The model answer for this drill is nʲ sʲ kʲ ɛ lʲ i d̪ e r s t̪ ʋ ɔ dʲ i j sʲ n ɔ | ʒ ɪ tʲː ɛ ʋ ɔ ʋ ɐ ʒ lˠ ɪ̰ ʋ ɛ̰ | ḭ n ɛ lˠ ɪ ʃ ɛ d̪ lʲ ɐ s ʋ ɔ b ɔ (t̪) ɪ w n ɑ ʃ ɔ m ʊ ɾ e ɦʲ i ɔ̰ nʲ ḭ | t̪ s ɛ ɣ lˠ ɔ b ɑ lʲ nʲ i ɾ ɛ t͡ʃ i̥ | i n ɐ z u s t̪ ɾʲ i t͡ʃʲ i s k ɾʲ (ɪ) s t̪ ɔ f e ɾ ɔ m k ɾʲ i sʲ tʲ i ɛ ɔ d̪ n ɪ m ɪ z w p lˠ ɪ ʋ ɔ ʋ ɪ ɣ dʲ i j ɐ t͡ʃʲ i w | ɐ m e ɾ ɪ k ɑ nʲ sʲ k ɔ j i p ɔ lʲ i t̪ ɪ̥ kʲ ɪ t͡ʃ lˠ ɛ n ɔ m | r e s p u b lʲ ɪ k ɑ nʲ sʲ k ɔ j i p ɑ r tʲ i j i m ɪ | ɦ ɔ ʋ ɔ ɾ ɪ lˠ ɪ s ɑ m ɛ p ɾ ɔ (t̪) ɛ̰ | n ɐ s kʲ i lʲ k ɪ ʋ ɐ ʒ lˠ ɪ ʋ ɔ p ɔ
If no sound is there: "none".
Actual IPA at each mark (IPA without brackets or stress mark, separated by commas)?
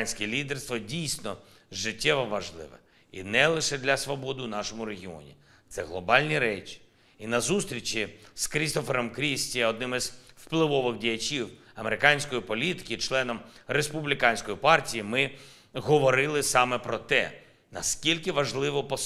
d̪, i, t̪